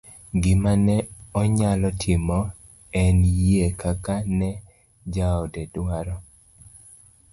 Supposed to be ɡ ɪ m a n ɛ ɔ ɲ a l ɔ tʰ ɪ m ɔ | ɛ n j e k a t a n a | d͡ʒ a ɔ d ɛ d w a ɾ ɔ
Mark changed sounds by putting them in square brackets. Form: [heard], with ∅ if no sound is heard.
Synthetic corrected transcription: ɡ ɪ m a n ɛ ɔ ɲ a l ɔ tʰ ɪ m ɔ | ɛ n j e k a [k] a n [ɛ] | d͡ʒ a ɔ d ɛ d w a ɾ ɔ